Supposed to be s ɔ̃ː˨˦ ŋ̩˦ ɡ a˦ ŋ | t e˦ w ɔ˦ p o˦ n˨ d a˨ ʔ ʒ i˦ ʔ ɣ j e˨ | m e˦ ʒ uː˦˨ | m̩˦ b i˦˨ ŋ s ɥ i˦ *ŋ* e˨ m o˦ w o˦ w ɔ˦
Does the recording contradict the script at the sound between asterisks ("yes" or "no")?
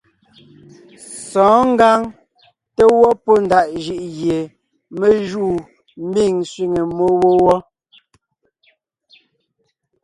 no